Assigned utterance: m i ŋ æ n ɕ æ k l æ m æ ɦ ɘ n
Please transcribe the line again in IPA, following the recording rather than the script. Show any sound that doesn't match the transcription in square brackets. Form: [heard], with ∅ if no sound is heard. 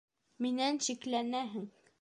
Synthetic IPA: m i [n] æ n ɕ [i] k l æ [n] æ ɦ ɘ [ŋ]